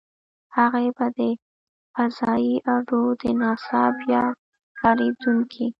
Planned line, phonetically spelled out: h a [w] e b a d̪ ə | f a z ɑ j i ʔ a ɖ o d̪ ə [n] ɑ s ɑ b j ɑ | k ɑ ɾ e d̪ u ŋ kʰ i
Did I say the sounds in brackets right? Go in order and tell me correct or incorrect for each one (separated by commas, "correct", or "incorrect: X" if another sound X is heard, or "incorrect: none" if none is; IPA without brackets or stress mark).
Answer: incorrect: ɣ, correct